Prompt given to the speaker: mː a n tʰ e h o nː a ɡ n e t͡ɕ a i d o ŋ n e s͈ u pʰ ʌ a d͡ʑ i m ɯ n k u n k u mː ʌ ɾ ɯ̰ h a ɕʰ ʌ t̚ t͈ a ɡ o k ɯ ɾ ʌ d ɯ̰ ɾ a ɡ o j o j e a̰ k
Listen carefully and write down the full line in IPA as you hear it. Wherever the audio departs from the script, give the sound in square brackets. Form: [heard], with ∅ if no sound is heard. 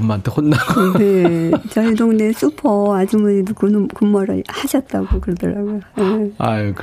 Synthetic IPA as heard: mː a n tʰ e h o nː a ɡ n e t͡ɕ [ʌ] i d o ŋ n e s͈ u pʰ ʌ a d͡ʑ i m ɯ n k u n k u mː ʌ ɾ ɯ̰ h a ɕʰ ʌ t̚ t͈ a ɡ o k ɯ ɾ ʌ d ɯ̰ ɾ a ɡ o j o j e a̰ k